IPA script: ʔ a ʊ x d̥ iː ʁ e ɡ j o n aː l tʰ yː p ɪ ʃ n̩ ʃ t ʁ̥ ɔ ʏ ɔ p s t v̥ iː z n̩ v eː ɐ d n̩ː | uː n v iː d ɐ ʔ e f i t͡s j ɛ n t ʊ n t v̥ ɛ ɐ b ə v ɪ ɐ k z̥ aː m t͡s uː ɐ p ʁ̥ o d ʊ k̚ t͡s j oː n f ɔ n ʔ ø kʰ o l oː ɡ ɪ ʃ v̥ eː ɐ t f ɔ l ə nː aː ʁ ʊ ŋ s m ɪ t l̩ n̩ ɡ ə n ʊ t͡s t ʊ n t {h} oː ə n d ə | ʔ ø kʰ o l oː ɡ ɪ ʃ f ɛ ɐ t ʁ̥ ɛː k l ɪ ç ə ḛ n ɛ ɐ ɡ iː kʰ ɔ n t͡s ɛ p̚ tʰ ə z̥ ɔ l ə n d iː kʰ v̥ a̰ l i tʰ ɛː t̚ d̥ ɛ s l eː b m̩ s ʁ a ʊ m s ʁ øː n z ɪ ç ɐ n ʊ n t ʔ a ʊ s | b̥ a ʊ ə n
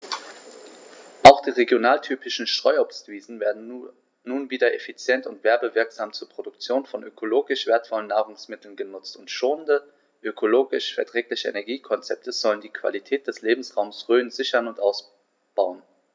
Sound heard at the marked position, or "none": ʃ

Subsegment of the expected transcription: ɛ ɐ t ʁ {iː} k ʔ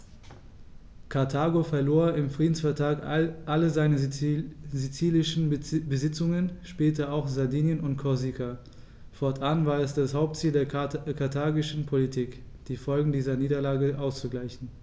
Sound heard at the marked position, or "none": aː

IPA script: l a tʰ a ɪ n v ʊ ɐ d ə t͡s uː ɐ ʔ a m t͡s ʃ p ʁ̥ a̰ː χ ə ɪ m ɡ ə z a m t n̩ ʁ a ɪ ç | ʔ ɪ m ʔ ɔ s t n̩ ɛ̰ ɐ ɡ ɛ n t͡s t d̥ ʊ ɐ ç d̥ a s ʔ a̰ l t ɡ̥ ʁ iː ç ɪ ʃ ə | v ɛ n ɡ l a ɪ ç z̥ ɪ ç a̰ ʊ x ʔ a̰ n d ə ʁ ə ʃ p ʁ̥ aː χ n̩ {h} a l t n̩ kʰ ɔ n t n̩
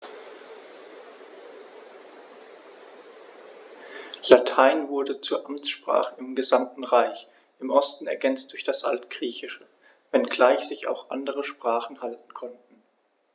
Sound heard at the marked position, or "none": h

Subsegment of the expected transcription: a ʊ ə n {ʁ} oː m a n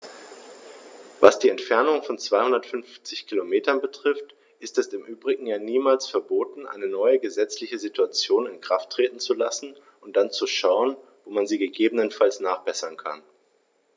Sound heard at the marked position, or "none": v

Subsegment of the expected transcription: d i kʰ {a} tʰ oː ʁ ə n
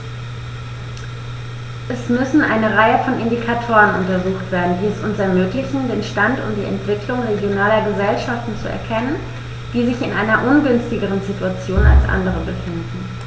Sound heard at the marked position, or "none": a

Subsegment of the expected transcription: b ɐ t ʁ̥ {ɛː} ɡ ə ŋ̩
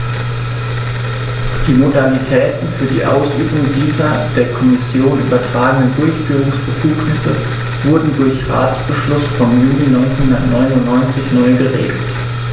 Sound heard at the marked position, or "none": aː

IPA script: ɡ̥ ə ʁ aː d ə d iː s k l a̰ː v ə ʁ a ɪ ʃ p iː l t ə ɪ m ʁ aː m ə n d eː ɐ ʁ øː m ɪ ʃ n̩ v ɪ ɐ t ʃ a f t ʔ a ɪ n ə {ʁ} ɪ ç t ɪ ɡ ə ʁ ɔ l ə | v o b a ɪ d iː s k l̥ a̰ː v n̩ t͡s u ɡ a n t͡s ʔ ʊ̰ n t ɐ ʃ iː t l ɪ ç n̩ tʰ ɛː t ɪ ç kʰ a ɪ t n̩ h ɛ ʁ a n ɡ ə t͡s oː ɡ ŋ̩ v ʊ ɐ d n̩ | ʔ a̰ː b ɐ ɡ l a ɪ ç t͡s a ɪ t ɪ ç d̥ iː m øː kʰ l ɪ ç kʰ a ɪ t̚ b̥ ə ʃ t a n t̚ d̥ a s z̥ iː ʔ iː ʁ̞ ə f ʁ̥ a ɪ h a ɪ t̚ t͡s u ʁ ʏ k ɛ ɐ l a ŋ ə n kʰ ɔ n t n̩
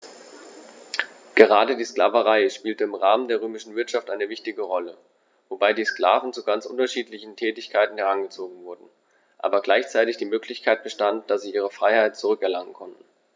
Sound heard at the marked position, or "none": v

